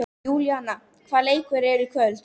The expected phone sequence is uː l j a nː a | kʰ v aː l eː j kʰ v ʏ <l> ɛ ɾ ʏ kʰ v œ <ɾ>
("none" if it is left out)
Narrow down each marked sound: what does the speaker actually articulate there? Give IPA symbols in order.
ɾ, l

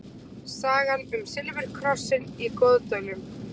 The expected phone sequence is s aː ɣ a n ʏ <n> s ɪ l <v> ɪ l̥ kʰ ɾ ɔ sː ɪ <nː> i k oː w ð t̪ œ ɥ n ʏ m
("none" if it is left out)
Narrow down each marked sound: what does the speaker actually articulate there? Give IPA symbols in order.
m, v, n

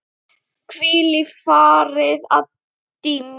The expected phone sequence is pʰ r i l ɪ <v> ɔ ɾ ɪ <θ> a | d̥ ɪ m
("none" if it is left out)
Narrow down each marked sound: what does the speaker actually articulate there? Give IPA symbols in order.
f, ð

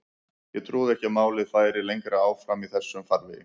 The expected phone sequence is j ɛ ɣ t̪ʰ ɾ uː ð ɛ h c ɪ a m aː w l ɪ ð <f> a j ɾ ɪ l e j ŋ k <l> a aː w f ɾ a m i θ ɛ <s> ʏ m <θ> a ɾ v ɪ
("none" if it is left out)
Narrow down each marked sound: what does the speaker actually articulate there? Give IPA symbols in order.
f, ɾ, sː, f

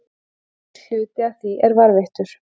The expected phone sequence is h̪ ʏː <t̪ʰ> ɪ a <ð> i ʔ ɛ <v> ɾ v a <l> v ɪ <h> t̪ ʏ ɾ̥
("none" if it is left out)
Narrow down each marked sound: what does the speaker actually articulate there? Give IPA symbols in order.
t̪, θ, none, ɾ, h

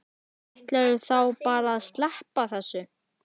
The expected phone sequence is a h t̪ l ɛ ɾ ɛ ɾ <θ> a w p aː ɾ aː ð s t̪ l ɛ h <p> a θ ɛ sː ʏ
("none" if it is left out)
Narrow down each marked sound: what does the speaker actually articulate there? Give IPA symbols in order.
θ, p

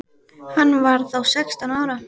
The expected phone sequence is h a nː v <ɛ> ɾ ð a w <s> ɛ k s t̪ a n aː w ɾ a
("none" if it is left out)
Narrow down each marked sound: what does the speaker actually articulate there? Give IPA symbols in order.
a, s

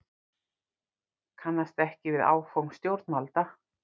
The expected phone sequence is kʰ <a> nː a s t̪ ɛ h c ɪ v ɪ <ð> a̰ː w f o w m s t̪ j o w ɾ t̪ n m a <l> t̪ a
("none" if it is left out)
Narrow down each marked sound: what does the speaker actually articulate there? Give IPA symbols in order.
a, ð, l

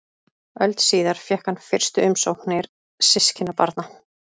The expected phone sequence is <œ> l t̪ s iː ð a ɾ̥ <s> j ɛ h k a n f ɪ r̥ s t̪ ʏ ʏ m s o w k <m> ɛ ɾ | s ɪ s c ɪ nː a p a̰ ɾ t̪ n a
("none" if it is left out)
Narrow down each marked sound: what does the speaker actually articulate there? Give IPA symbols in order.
œ, f, n

